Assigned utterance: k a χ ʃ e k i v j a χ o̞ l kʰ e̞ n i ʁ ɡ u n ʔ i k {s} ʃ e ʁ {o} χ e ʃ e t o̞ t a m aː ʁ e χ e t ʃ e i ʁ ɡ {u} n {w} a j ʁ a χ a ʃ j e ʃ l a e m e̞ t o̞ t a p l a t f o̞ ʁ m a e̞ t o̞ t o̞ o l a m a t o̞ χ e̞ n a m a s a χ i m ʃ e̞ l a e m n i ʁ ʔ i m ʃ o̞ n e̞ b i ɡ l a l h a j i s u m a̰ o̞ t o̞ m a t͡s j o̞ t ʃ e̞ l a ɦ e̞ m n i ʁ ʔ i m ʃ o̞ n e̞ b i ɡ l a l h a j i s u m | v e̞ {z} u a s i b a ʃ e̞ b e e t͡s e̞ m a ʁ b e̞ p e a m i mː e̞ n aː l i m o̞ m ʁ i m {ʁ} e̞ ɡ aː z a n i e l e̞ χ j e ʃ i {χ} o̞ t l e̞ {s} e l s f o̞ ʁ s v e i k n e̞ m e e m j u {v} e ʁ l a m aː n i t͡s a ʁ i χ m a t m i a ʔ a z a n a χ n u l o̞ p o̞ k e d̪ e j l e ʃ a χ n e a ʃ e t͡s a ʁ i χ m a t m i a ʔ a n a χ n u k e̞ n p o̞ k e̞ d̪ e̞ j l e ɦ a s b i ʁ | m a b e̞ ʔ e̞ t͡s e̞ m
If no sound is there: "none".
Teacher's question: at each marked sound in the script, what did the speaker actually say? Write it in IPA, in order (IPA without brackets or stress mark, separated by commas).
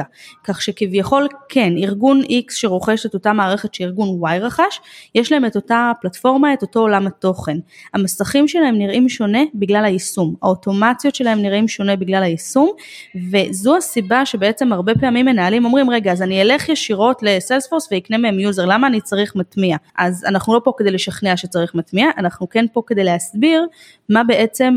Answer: s, o, u, w, z, ʁ, ʁ, s, z